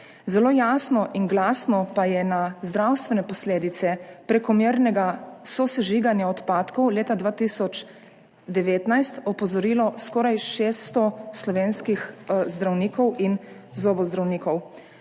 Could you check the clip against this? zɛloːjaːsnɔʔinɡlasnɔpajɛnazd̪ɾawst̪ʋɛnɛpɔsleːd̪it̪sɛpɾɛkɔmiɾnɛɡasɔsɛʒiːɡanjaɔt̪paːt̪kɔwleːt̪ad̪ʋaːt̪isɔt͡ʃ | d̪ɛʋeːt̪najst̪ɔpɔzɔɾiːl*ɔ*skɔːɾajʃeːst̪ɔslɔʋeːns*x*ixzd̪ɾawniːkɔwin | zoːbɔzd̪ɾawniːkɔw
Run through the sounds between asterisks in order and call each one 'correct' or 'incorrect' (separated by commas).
correct, incorrect